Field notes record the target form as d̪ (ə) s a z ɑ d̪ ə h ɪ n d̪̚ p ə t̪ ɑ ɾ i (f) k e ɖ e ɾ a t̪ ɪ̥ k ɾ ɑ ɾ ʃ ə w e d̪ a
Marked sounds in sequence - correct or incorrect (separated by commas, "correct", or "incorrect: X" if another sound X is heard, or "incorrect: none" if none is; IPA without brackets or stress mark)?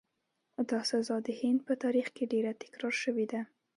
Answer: incorrect: ɑ, incorrect: x